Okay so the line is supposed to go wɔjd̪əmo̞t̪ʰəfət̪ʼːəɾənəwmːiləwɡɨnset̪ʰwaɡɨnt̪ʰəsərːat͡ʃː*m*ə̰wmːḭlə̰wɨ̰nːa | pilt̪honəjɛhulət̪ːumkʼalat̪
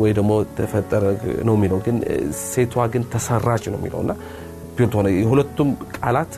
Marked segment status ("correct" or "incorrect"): incorrect